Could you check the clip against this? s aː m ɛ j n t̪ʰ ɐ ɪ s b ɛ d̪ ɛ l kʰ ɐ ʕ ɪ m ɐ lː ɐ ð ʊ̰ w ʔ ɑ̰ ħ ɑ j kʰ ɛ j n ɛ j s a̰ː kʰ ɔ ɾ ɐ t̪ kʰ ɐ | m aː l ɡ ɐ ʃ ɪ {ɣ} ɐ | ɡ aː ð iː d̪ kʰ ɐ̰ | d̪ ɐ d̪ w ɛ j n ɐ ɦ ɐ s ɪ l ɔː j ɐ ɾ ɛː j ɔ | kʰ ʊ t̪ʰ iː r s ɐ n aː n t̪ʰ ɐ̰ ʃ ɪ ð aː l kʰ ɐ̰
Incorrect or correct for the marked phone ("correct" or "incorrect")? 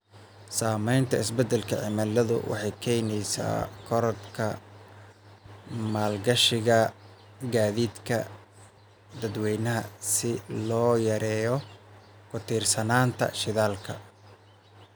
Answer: correct